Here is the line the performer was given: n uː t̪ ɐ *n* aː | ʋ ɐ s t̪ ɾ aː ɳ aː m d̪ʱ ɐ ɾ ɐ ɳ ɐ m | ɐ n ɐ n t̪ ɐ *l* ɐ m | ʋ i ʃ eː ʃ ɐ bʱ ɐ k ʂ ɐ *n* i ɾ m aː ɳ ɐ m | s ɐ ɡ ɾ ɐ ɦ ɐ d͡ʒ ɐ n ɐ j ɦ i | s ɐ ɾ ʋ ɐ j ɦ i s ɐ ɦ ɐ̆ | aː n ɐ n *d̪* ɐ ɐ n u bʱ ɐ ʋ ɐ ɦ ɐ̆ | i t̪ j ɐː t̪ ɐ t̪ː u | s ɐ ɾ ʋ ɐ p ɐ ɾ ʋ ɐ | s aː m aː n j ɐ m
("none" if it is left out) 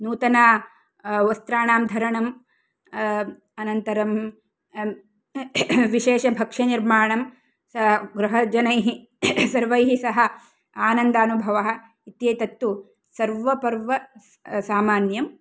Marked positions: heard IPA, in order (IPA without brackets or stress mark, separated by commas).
n, ɾ, n, d̪